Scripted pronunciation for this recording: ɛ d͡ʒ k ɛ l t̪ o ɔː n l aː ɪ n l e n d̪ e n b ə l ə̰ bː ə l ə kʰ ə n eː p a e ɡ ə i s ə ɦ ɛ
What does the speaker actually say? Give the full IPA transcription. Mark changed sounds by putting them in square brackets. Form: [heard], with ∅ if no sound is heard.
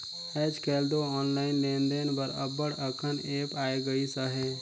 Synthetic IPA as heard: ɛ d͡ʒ k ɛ l [d̪] o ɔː n l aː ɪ n l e n d̪ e n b ə [ɾ] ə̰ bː ə [ɽ] ə kʰ ə n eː p a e ɡ ə i s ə ɦ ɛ

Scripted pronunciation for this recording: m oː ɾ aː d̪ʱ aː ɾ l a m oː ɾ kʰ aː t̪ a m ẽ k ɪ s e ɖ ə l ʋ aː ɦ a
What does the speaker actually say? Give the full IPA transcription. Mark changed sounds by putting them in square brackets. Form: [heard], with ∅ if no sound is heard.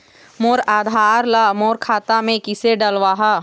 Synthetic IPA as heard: m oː ɾ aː d̪ʱ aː ɾ l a m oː ɾ kʰ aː t̪ a m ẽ k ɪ s e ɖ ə l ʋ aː ɦ a

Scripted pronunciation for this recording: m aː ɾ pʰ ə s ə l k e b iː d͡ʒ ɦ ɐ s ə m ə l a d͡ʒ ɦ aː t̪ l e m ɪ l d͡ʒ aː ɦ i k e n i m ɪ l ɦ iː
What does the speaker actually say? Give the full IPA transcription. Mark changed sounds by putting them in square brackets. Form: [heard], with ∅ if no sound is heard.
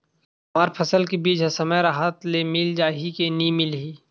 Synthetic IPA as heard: m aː ɾ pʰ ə s ə l k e b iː d͡ʒ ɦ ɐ s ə m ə [ɾ] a [∅] ɦ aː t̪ l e m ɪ l d͡ʒ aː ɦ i k e n i m ɪ l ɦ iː

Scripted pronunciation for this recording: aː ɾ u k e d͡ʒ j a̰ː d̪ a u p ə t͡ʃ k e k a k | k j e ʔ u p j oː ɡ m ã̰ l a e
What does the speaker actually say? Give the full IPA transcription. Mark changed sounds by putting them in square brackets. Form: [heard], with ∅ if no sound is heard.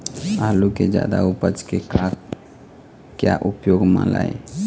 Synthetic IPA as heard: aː [l] u k e d͡ʒ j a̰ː d̪ a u p ə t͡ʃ k e k a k | k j [a] ʔ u p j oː ɡ m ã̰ l a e

